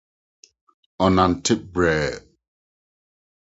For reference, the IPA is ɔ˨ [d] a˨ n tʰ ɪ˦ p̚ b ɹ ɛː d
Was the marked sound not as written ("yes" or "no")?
yes